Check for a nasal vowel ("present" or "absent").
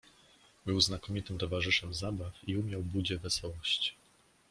absent